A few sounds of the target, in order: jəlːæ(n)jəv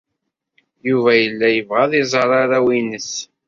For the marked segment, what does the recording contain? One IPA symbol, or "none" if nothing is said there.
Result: none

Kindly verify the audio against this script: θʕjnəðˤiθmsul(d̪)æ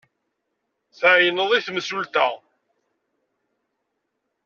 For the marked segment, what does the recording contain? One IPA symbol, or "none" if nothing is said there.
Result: t̪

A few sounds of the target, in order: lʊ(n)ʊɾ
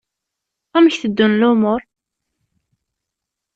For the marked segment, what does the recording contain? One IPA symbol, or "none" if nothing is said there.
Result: m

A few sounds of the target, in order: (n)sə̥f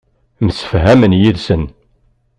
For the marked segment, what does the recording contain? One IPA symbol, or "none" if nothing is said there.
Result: m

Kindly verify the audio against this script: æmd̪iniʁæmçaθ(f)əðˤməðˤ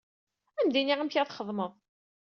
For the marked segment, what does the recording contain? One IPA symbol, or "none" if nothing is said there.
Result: χ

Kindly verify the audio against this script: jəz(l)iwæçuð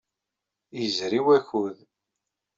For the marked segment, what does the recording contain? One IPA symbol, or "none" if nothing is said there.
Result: ɾ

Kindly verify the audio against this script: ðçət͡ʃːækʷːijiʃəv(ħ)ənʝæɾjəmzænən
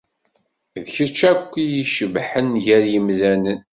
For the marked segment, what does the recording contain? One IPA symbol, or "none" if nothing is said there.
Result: ħ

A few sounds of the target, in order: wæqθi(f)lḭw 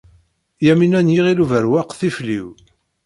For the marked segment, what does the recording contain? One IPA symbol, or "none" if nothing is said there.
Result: f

